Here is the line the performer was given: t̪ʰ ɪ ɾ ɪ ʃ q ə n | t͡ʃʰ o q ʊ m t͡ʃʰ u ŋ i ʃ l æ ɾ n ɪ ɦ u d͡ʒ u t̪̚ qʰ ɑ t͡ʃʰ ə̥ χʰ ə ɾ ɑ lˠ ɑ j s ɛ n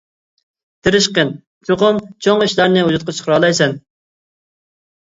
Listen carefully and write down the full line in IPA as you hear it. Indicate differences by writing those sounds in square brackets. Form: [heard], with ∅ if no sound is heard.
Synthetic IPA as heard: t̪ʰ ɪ ɾ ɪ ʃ q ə n | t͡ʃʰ o q ʊ m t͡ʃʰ [o] ŋ i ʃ l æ ɾ n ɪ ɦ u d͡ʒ u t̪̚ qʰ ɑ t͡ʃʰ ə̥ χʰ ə ɾ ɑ lˠ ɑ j s ɛ n